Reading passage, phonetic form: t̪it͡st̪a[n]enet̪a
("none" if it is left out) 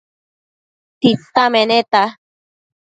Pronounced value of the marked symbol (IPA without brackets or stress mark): m